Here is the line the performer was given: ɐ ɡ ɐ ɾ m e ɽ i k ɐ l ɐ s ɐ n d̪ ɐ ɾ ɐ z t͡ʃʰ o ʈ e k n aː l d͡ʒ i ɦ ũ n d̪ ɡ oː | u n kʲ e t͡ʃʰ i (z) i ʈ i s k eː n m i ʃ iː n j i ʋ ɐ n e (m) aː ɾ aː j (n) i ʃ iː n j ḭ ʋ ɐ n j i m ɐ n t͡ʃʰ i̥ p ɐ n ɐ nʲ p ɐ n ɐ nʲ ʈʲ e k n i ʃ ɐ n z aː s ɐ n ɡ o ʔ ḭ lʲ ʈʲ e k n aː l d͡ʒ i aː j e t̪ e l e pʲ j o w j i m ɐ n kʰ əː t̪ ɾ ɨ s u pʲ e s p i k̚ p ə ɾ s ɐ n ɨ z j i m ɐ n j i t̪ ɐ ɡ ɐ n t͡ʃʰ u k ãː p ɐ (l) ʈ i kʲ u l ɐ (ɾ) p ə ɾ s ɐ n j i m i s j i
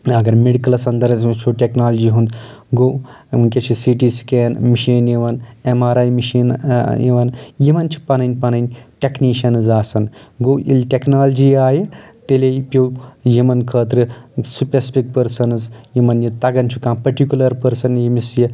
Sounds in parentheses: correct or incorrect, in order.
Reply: incorrect, correct, incorrect, incorrect, correct

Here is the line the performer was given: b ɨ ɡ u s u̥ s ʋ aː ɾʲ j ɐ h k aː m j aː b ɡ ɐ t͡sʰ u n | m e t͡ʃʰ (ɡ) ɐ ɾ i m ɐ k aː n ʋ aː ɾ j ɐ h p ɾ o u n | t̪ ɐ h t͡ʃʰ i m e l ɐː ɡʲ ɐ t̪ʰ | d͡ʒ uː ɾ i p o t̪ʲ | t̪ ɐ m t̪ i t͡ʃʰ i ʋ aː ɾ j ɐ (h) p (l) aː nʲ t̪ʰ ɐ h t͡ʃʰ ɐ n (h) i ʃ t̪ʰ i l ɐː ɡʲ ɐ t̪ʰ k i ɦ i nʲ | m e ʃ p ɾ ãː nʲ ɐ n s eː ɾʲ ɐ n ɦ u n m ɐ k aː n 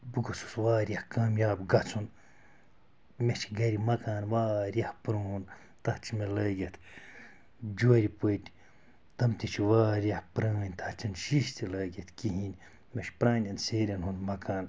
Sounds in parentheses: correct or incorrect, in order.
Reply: correct, correct, incorrect, incorrect

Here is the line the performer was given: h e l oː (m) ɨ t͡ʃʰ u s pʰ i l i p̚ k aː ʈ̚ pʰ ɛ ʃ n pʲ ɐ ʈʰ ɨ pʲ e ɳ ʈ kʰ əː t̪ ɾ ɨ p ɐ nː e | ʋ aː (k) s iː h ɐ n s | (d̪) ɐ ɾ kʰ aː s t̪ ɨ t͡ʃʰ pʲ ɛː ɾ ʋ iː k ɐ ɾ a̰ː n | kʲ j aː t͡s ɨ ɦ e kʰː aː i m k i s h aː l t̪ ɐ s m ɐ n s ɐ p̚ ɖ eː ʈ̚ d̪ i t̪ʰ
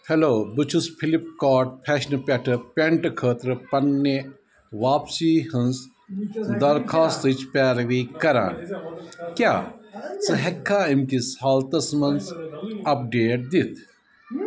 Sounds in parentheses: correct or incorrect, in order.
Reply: incorrect, incorrect, correct

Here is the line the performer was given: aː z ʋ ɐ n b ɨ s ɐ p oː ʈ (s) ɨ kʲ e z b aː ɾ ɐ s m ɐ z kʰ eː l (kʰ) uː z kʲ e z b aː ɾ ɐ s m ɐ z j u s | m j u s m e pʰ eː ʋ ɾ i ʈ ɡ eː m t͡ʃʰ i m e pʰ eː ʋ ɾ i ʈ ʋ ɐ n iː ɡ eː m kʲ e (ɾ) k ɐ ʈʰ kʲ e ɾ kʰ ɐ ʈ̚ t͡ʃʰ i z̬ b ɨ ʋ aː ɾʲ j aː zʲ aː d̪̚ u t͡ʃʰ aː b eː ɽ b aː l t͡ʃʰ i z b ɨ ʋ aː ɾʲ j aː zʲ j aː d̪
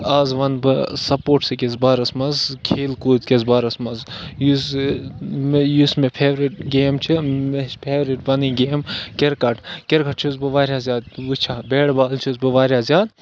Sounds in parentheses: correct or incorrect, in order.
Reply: correct, incorrect, correct

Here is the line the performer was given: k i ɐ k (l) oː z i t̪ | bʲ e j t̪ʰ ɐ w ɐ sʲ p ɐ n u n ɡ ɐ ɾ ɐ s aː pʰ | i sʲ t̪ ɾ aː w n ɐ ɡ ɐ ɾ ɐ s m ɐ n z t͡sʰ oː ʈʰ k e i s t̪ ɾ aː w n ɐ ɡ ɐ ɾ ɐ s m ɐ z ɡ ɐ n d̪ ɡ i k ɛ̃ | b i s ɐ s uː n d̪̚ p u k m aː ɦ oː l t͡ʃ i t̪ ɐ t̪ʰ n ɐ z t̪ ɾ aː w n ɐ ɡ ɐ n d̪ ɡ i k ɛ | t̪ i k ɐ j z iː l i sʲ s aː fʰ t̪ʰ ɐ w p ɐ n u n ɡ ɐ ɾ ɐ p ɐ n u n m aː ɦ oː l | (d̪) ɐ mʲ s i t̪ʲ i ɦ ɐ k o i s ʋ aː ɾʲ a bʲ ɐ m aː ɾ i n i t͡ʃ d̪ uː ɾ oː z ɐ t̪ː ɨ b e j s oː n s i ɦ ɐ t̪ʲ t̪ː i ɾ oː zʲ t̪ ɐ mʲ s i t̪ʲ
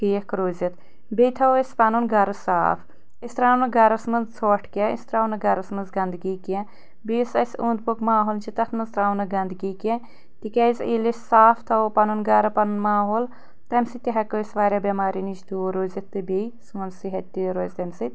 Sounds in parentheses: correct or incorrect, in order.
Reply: incorrect, incorrect

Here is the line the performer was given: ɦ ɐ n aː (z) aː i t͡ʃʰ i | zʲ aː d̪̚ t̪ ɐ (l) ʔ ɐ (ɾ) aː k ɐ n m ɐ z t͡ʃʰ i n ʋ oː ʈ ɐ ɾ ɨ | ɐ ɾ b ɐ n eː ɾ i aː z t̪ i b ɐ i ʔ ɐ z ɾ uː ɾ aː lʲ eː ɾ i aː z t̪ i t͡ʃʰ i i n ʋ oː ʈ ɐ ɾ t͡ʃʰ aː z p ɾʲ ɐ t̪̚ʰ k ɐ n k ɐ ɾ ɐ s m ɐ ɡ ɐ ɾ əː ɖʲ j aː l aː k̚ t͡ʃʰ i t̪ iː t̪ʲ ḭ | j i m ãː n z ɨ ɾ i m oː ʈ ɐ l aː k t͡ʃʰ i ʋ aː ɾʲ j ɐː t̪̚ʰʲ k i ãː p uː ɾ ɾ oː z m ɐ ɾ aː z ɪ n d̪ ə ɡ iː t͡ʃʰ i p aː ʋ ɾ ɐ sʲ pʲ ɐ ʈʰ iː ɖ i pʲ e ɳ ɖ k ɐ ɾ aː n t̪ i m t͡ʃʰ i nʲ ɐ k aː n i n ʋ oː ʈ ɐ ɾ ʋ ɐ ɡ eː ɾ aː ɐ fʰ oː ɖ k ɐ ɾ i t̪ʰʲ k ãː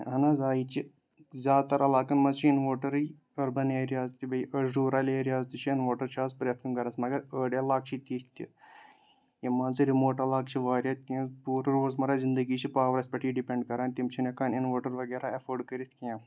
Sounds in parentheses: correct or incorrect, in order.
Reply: correct, incorrect, incorrect

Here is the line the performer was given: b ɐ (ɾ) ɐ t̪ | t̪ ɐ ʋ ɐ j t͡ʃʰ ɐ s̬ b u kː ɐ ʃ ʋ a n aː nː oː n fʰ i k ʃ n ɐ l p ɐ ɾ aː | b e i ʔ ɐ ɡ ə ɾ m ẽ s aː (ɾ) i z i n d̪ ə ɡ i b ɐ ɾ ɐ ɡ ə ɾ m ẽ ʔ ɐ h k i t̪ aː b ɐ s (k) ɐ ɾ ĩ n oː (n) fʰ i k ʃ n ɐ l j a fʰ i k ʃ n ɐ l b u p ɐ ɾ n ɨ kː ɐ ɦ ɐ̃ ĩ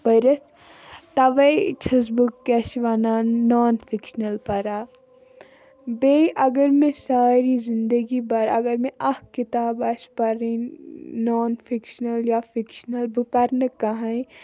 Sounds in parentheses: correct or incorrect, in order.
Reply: correct, correct, incorrect, correct

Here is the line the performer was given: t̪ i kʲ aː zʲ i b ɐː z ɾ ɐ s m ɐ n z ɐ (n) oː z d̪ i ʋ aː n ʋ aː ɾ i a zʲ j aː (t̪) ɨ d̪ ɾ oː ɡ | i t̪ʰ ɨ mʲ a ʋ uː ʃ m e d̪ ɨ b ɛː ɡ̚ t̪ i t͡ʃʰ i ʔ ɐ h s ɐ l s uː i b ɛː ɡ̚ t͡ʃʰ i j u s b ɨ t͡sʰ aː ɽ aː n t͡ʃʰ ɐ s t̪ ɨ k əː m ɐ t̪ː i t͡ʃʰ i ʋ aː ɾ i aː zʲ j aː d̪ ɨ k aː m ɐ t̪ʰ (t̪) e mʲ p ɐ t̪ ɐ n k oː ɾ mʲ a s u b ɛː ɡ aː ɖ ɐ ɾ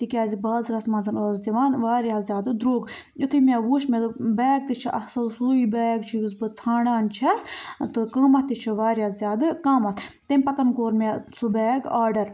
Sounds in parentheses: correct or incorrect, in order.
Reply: correct, incorrect, correct

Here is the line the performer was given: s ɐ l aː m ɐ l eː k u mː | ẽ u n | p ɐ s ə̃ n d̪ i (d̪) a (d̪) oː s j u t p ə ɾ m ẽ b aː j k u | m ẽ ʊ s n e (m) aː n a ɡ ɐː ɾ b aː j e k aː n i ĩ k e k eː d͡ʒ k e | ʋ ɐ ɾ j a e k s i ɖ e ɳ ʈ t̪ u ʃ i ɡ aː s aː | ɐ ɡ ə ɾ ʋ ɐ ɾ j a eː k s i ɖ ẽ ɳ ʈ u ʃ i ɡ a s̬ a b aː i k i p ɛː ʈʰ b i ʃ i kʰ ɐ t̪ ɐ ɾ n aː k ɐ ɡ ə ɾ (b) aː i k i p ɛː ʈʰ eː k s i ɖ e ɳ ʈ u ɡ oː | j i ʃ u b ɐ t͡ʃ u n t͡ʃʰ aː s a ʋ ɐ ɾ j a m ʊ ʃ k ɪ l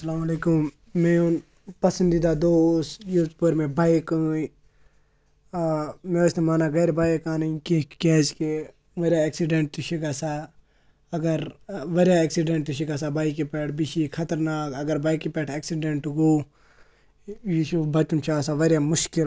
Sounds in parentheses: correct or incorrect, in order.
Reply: correct, correct, correct, correct

